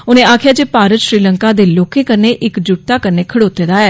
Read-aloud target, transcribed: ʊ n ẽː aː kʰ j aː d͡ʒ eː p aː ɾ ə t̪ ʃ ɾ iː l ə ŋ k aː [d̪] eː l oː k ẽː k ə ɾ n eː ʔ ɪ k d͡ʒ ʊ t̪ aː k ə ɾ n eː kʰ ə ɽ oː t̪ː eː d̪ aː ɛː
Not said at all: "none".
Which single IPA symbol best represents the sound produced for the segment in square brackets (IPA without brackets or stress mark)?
d̪